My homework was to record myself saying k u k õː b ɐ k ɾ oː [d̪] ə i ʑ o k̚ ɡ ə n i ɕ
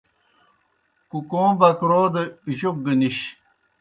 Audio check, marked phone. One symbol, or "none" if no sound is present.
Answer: d̪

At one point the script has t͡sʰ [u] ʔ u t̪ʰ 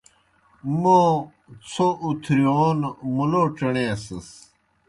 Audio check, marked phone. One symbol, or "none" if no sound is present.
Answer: o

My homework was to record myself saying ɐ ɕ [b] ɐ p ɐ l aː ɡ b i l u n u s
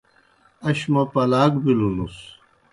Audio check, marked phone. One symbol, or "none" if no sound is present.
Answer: m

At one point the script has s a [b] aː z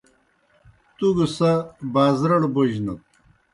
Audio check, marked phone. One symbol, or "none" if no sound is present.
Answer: b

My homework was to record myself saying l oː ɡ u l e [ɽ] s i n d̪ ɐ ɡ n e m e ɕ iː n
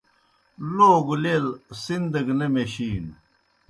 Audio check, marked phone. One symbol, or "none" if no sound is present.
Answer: l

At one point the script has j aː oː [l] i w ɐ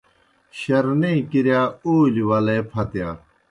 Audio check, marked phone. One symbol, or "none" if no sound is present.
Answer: l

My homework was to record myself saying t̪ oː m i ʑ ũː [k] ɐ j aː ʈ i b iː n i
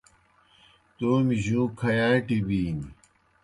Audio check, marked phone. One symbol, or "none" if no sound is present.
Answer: kʰ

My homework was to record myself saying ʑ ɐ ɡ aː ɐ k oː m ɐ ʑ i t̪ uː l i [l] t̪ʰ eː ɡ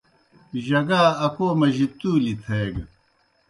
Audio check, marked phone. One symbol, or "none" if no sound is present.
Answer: none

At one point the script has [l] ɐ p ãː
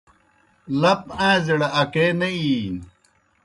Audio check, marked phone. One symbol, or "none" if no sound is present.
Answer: l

